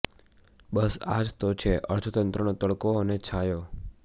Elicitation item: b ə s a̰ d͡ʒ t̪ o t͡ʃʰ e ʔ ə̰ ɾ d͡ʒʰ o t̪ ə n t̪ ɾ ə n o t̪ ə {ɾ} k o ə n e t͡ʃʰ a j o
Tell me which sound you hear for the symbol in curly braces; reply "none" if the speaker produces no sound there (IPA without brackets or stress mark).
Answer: ɭ